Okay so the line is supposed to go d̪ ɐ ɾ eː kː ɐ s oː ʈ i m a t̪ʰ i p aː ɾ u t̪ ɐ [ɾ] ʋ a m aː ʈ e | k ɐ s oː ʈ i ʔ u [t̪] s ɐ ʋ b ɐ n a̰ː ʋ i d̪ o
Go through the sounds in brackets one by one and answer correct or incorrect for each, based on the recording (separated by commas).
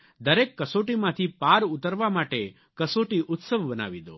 correct, correct